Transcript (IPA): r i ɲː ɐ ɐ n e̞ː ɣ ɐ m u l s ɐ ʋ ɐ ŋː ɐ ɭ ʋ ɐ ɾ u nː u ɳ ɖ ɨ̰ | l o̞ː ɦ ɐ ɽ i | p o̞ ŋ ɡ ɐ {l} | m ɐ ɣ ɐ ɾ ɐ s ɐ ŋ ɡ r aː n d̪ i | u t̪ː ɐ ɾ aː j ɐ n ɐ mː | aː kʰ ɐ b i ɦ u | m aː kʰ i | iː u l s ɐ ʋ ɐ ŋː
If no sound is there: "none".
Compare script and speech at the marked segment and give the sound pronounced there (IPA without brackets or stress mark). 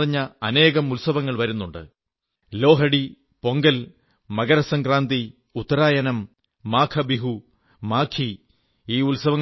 l